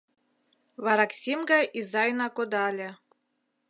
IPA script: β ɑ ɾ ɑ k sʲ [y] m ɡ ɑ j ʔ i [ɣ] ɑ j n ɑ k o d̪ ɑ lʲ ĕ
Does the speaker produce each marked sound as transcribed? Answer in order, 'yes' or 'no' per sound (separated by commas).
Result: no, no